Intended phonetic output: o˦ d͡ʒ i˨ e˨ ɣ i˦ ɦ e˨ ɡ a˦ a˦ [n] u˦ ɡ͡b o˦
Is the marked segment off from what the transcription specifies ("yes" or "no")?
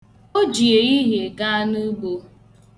no